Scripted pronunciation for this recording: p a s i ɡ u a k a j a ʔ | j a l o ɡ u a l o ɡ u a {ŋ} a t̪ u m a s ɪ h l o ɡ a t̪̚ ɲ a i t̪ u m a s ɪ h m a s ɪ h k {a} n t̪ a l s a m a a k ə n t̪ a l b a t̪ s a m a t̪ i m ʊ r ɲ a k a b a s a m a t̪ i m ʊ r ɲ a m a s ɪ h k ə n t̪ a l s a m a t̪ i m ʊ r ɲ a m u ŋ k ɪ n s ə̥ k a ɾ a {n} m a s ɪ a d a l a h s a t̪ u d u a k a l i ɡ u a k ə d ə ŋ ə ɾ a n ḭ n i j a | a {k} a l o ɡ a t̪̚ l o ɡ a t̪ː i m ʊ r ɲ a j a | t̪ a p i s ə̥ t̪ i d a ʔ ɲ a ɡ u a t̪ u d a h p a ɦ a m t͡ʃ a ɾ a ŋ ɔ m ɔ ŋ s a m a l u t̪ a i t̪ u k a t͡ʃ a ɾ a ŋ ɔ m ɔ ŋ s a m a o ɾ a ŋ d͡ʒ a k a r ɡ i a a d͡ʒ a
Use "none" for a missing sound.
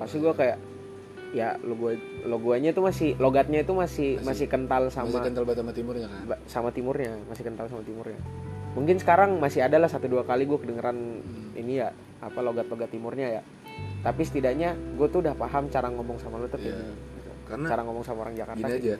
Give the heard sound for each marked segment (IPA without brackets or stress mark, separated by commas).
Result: ɲ, ə, ŋ, p